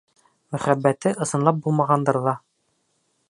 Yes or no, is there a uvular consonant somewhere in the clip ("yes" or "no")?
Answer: yes